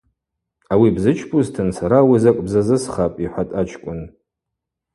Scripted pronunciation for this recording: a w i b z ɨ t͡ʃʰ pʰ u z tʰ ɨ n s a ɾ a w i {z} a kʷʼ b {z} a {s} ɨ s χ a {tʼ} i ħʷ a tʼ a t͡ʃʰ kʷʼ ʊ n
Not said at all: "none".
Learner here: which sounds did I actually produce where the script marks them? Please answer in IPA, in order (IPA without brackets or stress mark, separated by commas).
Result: z, z, z, pʼ